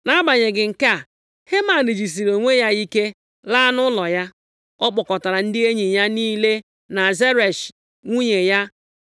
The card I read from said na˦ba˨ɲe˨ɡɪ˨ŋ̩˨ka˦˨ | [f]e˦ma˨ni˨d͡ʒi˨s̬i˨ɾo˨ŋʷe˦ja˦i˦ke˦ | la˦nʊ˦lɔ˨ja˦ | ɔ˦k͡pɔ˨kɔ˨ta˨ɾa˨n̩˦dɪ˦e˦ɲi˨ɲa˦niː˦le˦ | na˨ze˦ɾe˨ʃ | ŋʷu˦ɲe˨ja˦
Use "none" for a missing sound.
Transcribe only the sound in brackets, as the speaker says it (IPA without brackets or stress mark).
h